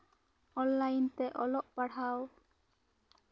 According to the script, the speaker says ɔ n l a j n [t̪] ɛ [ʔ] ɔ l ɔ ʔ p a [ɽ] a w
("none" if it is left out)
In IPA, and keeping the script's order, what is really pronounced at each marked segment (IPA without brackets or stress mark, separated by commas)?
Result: t̪, ʔ, ɽ